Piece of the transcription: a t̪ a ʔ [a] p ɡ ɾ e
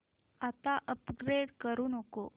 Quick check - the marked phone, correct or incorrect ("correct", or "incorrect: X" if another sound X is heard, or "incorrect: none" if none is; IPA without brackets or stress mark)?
incorrect: ə